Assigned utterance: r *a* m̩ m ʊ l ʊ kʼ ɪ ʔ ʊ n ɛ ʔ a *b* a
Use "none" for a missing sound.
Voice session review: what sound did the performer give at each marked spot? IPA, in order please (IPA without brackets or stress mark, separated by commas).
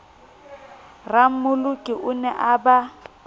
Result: a, b